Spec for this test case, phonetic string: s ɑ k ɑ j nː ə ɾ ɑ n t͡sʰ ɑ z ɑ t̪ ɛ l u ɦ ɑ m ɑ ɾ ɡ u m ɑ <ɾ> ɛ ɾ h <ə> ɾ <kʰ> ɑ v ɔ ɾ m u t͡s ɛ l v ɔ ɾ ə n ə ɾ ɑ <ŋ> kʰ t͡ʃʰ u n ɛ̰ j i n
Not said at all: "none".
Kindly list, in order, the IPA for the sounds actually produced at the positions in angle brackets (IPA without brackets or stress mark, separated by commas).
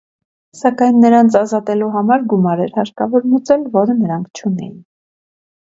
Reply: ɾ, ɑ, k, ŋ